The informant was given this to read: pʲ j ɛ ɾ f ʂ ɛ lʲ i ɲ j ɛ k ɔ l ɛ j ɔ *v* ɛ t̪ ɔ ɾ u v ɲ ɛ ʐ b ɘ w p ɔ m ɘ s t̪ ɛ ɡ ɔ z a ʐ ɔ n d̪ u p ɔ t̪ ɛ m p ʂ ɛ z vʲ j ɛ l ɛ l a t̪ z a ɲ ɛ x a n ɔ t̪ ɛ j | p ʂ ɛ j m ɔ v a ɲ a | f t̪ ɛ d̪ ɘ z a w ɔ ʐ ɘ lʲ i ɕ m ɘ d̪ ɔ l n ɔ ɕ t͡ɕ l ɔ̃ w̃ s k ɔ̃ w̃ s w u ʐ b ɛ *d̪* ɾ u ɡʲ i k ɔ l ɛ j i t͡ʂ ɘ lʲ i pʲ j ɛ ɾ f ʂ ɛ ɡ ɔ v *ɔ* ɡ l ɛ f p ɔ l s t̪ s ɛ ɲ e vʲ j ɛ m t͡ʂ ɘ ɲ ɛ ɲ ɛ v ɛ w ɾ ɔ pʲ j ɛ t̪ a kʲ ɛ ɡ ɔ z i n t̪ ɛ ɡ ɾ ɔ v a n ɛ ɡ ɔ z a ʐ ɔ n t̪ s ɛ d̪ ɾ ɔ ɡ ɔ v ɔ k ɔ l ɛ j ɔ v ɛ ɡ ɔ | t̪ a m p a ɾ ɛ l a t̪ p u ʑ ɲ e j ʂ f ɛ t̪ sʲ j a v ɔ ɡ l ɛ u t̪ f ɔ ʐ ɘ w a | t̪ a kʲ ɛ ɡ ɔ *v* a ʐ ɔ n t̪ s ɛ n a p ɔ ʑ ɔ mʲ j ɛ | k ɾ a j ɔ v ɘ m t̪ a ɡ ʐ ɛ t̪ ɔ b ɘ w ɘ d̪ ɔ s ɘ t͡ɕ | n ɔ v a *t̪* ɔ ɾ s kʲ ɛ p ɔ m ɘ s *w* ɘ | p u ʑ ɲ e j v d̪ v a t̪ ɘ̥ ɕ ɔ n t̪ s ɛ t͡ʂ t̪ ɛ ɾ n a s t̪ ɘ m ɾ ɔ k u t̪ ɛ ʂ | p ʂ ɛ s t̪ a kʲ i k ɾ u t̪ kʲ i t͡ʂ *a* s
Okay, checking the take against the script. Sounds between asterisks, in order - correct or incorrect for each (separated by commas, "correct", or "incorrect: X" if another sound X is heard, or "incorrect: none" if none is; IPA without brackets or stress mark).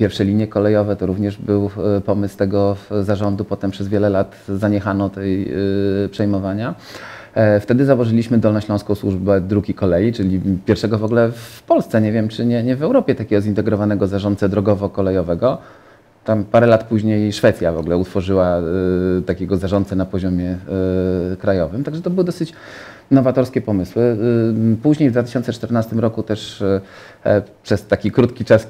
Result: correct, correct, correct, incorrect: z, correct, correct, correct